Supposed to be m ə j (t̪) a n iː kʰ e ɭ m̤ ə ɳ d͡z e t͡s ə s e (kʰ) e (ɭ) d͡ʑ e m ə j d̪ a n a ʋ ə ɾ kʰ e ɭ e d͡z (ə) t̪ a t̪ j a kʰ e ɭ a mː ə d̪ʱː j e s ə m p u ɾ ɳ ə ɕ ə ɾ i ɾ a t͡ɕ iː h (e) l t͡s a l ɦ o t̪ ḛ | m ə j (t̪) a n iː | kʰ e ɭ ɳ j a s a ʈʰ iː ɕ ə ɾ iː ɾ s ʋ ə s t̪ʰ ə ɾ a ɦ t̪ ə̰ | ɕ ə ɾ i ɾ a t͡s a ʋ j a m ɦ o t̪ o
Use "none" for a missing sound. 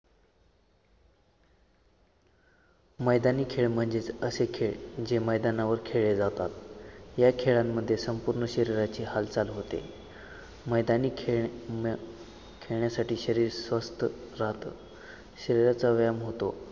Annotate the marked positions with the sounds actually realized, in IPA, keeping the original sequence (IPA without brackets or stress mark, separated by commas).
d̪, kʰ, ɭ, a, a, d̪